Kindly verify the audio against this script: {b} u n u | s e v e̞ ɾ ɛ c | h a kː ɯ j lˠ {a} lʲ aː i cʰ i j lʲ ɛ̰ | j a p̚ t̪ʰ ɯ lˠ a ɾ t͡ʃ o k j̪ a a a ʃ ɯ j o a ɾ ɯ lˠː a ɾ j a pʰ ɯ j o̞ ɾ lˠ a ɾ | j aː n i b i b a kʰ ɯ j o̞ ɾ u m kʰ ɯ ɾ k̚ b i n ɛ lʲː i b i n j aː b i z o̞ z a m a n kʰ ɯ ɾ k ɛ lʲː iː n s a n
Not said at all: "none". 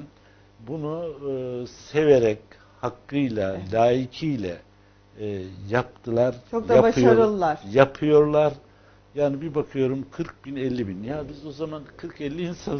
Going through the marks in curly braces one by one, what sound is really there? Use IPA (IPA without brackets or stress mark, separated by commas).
b, a